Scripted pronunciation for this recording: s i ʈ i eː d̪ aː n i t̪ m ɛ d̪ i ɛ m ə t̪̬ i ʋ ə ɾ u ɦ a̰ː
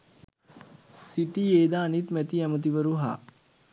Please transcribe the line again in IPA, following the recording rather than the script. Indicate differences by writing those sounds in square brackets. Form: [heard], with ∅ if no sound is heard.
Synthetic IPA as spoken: s i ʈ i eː d̪ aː n i t̪ m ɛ [t̪] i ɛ m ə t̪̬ i ʋ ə ɾ u ɦ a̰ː